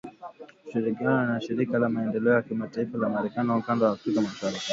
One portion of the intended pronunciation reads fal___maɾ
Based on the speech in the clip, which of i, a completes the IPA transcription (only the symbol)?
a